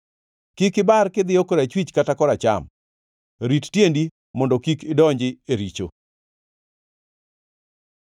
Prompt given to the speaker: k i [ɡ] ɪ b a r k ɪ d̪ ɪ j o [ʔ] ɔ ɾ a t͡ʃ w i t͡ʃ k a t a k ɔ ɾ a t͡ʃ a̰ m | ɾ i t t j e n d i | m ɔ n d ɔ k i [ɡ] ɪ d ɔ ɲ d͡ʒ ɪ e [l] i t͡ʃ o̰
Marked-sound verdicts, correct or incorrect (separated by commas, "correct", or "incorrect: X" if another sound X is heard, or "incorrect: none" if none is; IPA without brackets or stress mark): incorrect: k, incorrect: k, incorrect: k, incorrect: ɾ